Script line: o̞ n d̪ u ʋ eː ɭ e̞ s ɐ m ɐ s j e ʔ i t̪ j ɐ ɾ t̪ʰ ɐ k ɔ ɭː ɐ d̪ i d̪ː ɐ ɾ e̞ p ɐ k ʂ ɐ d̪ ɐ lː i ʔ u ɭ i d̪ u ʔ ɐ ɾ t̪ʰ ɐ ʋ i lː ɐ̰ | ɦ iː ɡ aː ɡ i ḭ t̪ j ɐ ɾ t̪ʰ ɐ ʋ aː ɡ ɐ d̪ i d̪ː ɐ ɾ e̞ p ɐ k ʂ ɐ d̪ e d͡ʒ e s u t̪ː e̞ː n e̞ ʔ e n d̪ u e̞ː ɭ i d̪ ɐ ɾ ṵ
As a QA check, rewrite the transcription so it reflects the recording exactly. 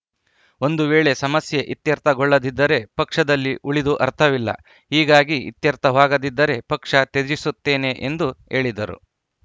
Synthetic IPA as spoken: o̞ n d̪ u ʋ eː ɭ e̞ s ɐ m ɐ s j e ʔ i t̪ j ɐ ɾ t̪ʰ ɐ ɡ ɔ ɭː ɐ d̪ i d̪ː ɐ ɾ e̞ p ɐ k ʂ ɐ d̪ ɐ lː i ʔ u ɭ i d̪ u ʔ ɐ ɾ t̪ʰ ɐ ʋ i lː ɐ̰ | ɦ iː ɡ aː ɡ i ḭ t̪ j ɐ ɾ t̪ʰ ɐ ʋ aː ɡ ɐ d̪ i d̪ː ɐ ɾ e̞ p ɐ k ʂ ɐ t̪ e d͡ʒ i s u t̪ː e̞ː n e̞ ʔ e n d̪ u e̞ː ɭ i d̪ ɐ ɾ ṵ